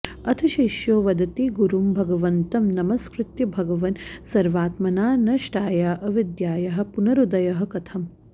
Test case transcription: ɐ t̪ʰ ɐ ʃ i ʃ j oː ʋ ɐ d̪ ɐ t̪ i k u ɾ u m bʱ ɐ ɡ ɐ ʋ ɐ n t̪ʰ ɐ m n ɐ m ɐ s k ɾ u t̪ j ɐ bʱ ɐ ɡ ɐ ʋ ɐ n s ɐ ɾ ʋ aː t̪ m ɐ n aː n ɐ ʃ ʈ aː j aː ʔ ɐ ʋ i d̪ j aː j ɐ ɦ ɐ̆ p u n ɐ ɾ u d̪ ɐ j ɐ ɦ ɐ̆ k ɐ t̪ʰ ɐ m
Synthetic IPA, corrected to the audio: ɐ t̪ʰ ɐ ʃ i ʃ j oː ʋ ɐ d̪ ɐ t̪ i ɡ u ɾ u m bʱ ɐ ɡ ɐ ʋ ɐ n t̪ ɐ m n ɐ m ɐ s k ɾ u t̪ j ɐ bʱ ɐ ɡ ɐ ʋ ɐ n s ɐ ɾ ʋ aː t̪ m ɐ n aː n ɐ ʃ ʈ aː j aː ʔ ɐ ʋ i d̪ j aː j ɐ ɦ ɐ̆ p u n ɐ ɾ u d̪ ɐ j ɐ ɦ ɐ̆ k ɐ t̪ʰ ɐ m